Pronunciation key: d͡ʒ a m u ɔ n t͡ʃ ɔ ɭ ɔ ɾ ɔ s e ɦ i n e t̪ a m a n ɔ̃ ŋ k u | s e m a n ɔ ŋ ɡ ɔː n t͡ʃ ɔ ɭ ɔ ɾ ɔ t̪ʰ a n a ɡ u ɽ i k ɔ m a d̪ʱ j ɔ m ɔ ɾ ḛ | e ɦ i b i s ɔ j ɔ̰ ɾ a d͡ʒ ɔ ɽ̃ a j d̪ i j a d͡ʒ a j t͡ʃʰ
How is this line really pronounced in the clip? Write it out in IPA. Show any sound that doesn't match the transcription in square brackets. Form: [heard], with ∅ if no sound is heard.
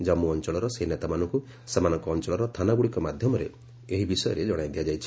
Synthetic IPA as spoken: d͡ʒ a m u ɔ n t͡ʃ ɔ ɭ ɔ ɾ ɔ s e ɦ i n e t̪ a m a n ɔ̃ ŋ k u | s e m a n ɔ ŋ [k] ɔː n t͡ʃ ɔ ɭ ɔ ɾ ɔ t̪ʰ a n a ɡ u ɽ i k ɔ m a d̪ʱ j ɔ m ɔ ɾ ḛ | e ɦ i b i s ɔ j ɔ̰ ɾ [e] d͡ʒ ɔ ɽ̃ a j d̪ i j a d͡ʒ a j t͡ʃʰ